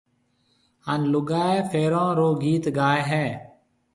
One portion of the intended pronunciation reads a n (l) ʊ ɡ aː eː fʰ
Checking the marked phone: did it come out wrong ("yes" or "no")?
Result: no